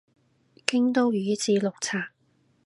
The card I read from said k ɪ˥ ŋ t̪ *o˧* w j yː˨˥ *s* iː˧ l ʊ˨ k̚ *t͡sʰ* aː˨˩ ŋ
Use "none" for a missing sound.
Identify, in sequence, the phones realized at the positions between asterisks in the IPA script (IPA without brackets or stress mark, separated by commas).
o˥, t͡s, t͡sʰ